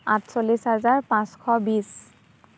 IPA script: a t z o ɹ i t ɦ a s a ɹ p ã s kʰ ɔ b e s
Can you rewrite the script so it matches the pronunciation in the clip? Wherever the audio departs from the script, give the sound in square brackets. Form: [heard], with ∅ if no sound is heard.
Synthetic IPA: a t [s] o [l] i [s] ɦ a [z] a ɹ p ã s kʰ ɔ b [i] s